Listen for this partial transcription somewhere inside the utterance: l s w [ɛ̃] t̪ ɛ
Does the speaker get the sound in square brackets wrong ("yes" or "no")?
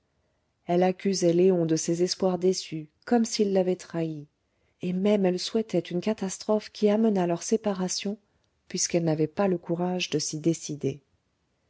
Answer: yes